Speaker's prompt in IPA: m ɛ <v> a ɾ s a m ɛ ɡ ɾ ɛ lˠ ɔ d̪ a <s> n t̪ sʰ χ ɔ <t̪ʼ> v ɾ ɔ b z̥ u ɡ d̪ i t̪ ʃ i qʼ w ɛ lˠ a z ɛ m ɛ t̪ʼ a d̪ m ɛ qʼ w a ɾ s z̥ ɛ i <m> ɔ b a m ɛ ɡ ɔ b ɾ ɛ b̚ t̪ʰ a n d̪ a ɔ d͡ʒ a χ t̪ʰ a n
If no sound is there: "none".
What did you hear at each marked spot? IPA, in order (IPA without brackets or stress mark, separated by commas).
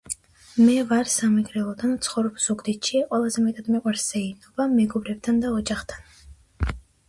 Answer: v, none, none, n